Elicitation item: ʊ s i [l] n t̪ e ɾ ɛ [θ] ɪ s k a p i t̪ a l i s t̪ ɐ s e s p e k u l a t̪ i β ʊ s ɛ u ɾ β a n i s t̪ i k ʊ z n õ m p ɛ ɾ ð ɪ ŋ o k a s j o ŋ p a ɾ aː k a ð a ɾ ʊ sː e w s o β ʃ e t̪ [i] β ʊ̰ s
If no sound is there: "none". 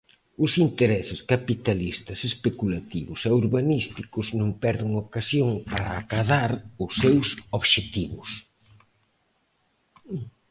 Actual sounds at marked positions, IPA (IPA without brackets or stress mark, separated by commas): none, s, i